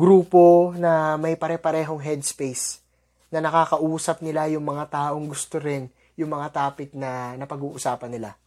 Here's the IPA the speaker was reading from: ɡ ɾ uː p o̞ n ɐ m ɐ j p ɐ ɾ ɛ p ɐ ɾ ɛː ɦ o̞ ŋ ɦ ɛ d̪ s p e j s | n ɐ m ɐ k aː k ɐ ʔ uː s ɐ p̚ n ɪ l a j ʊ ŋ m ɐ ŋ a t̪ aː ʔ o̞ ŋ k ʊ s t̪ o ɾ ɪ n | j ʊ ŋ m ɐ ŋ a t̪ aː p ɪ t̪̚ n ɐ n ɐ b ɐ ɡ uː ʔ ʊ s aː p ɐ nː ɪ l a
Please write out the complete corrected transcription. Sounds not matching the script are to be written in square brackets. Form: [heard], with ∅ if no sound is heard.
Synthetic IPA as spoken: ɡ ɾ uː p o̞ n ɐ m ɐ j p ɐ ɾ ɛ p ɐ ɾ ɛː ɦ o̞ ŋ ɦ ɛ d̪ s p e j s | n ɐ [n] ɐ k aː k ɐ ʔ uː s ɐ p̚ n ɪ l a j ʊ ŋ m ɐ ŋ a t̪ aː ʔ o̞ ŋ [ɡ] ʊ s t̪ o ɾ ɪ n | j ʊ ŋ m ɐ ŋ a t̪ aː p ɪ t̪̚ n ɐ n ɐ [p] ɐ ɡ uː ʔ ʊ s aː p ɐ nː ɪ l a